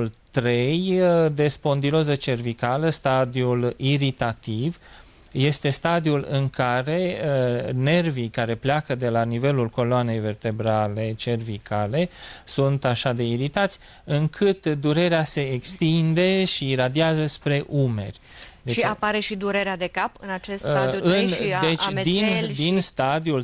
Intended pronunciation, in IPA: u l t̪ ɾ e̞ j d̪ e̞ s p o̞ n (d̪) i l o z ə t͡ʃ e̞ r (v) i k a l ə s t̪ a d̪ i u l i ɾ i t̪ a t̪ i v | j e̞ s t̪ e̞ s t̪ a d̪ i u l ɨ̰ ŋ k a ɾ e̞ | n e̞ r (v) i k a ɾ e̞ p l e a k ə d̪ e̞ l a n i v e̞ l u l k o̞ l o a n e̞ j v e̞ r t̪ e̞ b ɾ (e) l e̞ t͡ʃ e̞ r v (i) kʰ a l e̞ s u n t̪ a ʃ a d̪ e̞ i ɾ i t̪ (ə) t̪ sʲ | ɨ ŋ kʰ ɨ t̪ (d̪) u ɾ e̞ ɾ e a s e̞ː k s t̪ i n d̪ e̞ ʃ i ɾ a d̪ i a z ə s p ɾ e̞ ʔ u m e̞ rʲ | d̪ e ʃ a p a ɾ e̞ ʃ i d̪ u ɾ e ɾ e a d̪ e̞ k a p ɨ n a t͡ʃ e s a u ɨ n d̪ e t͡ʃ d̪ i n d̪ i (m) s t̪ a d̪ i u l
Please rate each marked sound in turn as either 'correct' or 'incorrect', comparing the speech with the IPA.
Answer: correct, correct, correct, incorrect, correct, incorrect, correct, incorrect

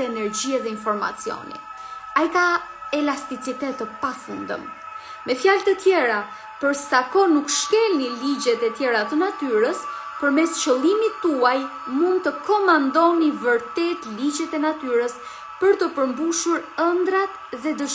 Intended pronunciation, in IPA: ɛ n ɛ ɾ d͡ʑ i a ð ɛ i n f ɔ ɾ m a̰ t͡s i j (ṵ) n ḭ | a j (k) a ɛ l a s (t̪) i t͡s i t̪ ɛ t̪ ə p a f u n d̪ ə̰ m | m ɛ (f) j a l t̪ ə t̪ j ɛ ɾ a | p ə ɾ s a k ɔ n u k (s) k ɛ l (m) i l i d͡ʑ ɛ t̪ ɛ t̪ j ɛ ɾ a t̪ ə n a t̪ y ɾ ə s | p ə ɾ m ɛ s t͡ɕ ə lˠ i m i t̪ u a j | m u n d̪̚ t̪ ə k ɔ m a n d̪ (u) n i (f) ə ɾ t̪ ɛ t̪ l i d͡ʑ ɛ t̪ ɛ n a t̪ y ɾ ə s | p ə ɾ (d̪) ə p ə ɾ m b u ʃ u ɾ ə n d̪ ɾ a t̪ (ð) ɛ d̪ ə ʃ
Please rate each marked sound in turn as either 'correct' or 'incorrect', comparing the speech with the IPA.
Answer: incorrect, correct, correct, correct, incorrect, incorrect, incorrect, incorrect, incorrect, correct

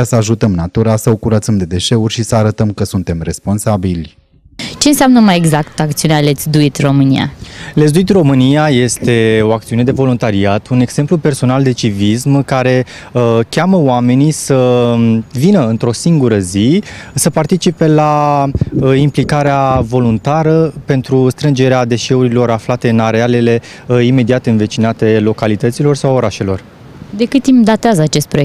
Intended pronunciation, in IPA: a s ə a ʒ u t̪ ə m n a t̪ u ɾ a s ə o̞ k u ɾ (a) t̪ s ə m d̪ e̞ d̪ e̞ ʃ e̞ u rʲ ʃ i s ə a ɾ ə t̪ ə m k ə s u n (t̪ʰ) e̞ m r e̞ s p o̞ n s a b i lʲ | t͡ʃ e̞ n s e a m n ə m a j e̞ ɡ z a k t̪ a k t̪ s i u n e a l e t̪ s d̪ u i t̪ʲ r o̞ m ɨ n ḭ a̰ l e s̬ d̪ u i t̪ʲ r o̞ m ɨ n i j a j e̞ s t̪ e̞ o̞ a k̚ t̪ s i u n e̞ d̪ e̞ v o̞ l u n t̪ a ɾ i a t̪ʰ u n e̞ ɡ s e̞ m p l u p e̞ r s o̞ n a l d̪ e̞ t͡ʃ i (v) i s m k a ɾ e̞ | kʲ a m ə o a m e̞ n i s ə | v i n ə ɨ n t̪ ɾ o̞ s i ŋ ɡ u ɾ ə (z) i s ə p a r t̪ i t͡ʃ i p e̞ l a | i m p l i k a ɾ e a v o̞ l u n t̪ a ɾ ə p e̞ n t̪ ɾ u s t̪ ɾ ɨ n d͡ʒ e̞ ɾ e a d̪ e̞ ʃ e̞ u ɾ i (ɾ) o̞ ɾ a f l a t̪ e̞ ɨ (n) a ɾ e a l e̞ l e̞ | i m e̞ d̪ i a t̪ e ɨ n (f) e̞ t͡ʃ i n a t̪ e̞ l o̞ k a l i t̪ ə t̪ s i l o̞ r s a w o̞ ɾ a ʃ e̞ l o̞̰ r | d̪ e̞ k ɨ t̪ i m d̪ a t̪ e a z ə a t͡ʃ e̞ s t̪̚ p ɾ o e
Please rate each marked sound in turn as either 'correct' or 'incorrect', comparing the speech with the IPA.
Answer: incorrect, incorrect, correct, correct, incorrect, correct, incorrect

